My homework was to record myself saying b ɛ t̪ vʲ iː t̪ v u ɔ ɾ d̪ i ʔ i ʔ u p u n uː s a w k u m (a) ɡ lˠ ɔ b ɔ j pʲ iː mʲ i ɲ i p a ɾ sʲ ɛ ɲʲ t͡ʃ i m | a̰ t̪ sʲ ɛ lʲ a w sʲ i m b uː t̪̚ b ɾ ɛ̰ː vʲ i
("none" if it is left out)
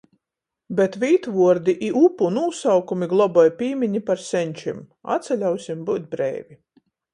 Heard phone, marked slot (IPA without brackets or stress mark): i